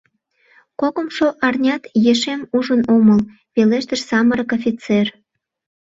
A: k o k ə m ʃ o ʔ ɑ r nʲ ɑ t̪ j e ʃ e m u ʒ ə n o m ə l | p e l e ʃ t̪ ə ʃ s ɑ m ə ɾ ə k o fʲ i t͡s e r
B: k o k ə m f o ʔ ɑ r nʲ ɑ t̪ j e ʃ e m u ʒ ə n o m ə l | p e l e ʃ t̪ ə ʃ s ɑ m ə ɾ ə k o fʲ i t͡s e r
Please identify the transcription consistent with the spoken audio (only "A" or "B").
A